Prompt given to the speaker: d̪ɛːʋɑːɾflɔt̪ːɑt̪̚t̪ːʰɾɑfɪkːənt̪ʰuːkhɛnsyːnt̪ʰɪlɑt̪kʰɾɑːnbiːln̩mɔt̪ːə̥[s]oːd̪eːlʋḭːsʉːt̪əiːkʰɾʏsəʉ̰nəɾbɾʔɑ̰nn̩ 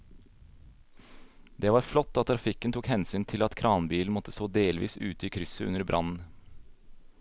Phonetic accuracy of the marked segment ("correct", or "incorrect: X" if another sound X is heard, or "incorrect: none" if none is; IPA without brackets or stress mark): correct